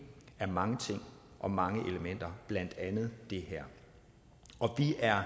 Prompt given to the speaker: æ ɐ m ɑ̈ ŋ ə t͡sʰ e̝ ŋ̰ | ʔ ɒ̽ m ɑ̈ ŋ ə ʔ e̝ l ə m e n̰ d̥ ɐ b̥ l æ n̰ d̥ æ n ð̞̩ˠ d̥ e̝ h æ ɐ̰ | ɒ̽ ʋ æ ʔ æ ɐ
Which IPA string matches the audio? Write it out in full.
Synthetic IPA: æ ɐ m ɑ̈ ŋ ə t͡sʰ e̝ ŋ̰ | ʔ ɒ̽ m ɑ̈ ŋ ə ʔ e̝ l ə m e n̰ d̥ ɐ b̥ l æ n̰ d̥ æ n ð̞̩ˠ d̥ e̝ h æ ɐ̰ | ɒ̽ ʋ i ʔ æ ɐ

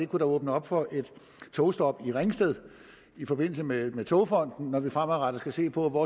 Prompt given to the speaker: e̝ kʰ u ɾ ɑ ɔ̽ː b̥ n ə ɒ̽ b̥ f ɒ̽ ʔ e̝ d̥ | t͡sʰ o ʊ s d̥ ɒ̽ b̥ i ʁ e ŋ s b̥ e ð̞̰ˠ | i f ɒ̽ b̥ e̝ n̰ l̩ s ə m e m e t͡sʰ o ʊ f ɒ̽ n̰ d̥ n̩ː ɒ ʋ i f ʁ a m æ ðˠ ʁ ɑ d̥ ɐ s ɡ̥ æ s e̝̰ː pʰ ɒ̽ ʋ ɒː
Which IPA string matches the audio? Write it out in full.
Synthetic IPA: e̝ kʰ u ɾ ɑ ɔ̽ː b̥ n ə ɒ̽ b̥ f ɒ̽ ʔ e̝ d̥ | t͡sʰ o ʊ s d̥ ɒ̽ b̥ i ʁ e ŋ s d̥ e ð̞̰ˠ | i f ɒ̽ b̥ e̝ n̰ l̩ s ə m e m e t͡sʰ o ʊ f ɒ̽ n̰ d̥ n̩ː ɒ ʋ i f ʁ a m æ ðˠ ʁ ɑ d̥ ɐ s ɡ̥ æ s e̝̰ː pʰ ɒ̽ ʋ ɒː

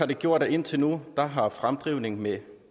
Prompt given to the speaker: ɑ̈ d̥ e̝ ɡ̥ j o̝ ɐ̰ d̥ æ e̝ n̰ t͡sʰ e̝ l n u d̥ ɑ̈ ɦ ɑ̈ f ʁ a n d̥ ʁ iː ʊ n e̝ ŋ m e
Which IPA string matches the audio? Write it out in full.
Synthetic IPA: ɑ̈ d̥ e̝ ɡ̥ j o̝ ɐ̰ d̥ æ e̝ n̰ t͡sʰ e̝ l n u d̥ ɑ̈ ɦ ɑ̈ f ʁ a m d̥ ʁ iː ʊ n e̝ ŋ m e

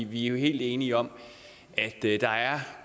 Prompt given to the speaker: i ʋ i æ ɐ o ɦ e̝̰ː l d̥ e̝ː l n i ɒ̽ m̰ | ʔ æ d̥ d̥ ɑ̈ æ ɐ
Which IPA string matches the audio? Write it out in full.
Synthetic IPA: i ʋ i æ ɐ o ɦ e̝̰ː l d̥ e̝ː n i ɒ̽ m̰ | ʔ æ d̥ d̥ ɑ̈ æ ɐ

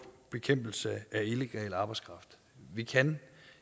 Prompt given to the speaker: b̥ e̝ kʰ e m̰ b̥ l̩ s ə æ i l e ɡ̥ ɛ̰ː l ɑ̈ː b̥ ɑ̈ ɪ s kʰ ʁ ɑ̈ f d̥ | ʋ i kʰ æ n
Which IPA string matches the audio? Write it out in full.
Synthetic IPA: b̥ e̝ kʰ e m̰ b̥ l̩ s ə æ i l e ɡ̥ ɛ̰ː l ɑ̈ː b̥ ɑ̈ ɪ s kʰ ʁ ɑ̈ f d̥ | ʋ i kʰ æ n

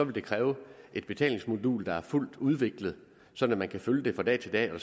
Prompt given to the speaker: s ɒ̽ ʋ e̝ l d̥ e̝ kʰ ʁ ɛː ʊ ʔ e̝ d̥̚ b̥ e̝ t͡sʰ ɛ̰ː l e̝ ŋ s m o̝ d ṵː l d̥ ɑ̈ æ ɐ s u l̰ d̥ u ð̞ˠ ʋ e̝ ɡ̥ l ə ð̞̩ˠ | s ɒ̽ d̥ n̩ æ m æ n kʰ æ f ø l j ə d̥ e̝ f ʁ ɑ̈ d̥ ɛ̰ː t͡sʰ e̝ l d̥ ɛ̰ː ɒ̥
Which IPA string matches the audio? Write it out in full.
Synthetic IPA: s ɒ̽ ʋ e̝ l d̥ e̝ kʰ ʁ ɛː ʊ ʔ e̝ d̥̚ b̥ e̝ t͡sʰ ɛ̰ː l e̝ ŋ s m o̝ d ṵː l d̥ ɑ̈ æ ɐ f u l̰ d̥ u ð̞ˠ ʋ e̝ ɡ̥ l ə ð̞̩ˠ | s ɒ̽ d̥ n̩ æ m æ n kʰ æ f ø l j ə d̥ e̝ f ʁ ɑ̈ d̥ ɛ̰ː t͡sʰ e̝ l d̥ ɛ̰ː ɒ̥

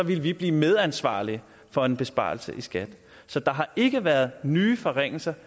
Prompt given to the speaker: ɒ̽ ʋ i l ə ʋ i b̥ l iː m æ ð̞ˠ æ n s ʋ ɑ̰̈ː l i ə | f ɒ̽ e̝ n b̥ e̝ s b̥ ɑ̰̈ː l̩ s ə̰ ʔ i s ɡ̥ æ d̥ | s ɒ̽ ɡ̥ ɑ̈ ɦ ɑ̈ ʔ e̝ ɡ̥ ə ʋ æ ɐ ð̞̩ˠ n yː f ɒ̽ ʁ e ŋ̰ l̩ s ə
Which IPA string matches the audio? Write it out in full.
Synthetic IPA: ɒ̽ ʋ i l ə ʋ i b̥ l iː m e ð̞ˠ æ n s ʋ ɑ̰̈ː l i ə | f ɒ̽ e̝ n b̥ e̝ s b̥ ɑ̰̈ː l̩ s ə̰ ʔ i s ɡ̥ æ d̥ | s ɒ̽ d̥ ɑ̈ ɦ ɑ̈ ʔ e̝ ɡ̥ ə ʋ æ ɐ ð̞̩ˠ n yː f ɒ̽ ʁ e ŋ̰ l̩ s ɐ

